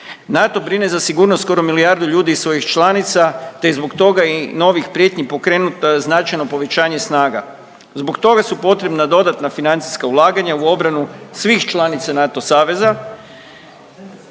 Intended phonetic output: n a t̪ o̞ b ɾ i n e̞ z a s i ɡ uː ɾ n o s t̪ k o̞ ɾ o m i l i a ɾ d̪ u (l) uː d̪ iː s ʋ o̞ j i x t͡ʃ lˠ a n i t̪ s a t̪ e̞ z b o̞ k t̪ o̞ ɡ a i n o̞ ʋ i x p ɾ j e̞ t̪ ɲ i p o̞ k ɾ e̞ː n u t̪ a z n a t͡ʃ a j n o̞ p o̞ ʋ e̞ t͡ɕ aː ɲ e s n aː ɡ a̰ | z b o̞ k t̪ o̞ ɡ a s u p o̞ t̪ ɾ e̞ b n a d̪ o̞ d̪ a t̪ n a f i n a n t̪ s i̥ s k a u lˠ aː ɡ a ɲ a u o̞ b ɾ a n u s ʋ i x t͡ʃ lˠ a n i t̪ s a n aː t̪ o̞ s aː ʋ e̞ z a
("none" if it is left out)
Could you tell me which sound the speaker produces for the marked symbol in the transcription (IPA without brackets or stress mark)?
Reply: ʎ